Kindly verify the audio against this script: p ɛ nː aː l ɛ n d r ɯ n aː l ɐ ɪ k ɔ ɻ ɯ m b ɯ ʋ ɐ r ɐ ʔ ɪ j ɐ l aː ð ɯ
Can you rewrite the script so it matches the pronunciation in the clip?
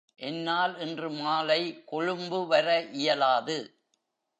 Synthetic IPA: ʔ ɛ nː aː l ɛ n d r ɯ m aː l ɐ ɪ k ɔ ɻ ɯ m b ɯ ʋ ɐ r ɐ ʔ ɪ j ɐ l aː ð ɯ